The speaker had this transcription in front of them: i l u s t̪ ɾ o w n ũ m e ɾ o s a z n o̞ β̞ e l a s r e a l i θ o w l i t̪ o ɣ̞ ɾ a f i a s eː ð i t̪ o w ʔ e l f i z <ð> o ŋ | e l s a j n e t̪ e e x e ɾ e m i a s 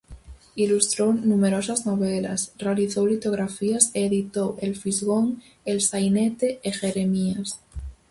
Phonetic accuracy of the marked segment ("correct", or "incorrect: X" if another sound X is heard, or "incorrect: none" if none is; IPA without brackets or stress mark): incorrect: ɣ